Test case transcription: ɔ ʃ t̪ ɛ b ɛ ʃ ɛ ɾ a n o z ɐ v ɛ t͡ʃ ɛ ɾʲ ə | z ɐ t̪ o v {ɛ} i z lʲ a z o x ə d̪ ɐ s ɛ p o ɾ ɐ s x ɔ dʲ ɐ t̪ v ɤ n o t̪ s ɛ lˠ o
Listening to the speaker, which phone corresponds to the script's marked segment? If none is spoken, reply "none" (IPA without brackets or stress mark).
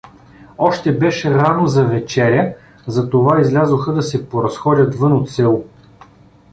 a